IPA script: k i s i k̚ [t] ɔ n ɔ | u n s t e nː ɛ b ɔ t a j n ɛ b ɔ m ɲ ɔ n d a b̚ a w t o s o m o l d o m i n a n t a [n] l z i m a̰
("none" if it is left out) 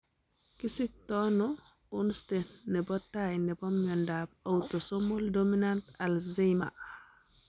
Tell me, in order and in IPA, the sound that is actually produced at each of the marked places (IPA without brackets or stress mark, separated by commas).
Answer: t, none